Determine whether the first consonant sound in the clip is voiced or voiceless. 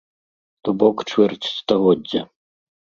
voiceless